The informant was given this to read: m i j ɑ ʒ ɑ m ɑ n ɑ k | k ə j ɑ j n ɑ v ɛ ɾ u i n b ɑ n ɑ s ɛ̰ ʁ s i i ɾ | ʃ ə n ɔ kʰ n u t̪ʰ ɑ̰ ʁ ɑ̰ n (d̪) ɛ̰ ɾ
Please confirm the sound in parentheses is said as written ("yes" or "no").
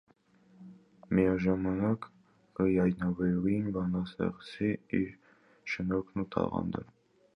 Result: yes